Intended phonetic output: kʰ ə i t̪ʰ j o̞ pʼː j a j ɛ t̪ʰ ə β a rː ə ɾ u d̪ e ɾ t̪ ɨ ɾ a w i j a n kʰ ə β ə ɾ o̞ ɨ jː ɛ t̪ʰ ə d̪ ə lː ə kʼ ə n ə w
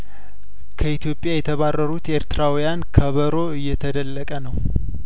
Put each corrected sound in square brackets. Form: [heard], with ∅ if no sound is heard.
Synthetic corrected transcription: kʰ ə i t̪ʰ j o̞ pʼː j a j ɛ t̪ʰ ə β a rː ə ɾ u [t̪] e ɾ t̪ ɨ ɾ a w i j a n kʰ ə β ə ɾ o̞ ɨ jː ɛ t̪ʰ ə d̪ ə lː ə kʼ ə n ə w